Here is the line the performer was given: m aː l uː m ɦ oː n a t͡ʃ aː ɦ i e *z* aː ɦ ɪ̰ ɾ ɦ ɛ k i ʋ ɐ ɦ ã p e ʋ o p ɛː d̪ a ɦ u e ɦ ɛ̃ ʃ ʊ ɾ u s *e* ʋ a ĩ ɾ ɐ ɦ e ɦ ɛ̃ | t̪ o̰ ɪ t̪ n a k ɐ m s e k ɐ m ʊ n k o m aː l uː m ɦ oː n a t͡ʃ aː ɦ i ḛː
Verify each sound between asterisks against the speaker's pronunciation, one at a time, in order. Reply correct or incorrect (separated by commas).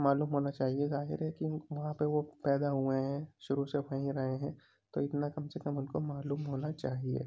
correct, correct